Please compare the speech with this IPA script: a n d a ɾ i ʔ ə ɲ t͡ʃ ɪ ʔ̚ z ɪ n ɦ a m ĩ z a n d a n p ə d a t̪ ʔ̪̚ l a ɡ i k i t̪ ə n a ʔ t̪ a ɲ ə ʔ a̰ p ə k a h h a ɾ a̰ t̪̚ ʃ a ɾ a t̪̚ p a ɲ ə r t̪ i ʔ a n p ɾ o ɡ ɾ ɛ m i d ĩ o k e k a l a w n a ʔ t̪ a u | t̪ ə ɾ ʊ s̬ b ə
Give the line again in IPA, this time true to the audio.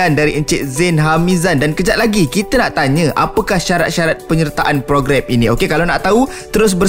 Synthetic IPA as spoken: a n d a ɾ i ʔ ə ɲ t͡ʃ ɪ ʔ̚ z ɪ n ɦ a m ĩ z a n d a n k ə d͡ʒ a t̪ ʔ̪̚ l a ɡ i k i t̪ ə n a ʔ t̪ a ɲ ə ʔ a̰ p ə k a h ʃ a ɾ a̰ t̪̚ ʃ a ɾ a t̪̚ p ə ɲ ə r t̪ a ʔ a n p ɾ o ɡ ɾ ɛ m i n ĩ o k e k a l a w n a ʔ t̪ a u | t̪ ə ɾ ʊ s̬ b ə